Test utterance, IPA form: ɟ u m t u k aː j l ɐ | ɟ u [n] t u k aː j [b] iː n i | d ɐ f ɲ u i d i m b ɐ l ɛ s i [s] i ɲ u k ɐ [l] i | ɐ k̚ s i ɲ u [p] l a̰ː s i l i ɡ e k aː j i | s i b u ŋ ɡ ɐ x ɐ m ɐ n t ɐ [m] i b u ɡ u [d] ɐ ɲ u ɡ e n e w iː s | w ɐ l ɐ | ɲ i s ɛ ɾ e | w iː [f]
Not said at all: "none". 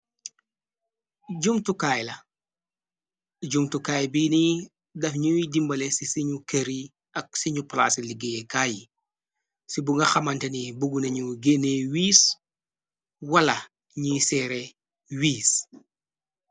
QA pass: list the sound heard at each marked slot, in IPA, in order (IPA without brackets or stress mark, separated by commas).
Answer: m, b, s, ɾ, p, n, n, s